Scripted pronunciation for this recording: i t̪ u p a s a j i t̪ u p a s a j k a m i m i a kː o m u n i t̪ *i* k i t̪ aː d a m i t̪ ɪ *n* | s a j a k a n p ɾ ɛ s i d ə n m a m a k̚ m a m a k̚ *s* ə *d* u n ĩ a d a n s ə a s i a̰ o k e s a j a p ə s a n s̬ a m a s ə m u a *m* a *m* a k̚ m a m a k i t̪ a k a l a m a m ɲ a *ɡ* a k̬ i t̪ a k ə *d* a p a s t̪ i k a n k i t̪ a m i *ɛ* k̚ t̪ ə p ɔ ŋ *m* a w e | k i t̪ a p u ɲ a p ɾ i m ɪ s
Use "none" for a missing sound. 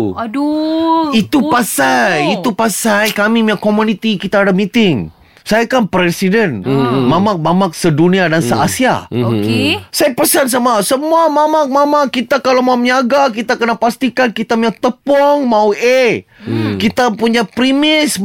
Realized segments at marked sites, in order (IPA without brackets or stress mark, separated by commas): i, ŋ, s, d, m, m, ɡ, n, a, m